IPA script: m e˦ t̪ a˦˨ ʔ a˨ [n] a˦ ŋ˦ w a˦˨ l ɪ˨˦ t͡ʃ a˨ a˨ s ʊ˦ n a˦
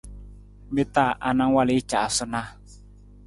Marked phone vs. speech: correct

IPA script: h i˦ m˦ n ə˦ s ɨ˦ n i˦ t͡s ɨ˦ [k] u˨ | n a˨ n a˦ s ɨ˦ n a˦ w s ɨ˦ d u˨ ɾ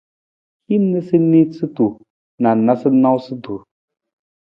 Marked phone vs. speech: incorrect: t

